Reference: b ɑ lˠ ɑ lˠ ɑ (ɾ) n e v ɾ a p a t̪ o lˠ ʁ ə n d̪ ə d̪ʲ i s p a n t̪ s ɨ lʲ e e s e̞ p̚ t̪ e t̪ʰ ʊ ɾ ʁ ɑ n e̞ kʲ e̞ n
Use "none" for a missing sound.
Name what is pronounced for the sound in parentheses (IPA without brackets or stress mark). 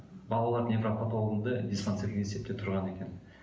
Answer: ɾ